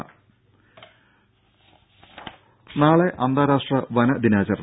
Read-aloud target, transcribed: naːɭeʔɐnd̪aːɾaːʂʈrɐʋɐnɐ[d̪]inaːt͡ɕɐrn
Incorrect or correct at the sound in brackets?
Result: correct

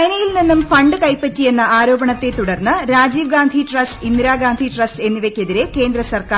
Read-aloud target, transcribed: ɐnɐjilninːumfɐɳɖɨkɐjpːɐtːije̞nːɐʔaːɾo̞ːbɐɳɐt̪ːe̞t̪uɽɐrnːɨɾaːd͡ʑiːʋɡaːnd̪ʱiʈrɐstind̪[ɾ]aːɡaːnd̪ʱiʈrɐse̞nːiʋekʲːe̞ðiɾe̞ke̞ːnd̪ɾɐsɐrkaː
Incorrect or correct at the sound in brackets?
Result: correct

